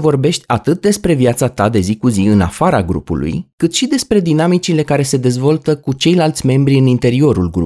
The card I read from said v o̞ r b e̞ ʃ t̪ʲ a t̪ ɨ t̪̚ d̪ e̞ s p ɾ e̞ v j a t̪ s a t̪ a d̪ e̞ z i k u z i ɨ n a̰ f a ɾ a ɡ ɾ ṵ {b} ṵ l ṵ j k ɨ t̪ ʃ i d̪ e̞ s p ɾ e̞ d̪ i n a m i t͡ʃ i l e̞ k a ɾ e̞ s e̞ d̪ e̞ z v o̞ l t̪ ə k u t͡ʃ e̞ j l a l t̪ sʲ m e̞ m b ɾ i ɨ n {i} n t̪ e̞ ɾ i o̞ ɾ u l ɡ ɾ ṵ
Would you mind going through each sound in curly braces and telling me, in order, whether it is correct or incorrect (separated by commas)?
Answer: incorrect, correct